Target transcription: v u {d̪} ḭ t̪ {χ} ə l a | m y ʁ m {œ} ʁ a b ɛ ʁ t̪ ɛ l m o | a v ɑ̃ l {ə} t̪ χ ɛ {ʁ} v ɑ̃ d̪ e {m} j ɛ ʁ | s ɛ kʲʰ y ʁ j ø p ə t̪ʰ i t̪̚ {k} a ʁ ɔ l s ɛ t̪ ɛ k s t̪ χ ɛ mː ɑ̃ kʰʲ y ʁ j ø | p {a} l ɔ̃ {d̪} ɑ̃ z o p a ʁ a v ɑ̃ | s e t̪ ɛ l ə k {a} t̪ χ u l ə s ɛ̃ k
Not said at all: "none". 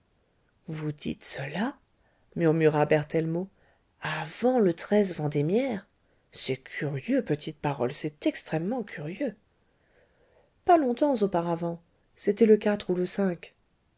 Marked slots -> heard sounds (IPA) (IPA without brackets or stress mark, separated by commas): d̪, s, y, ə, z, m, p, a, t̪, a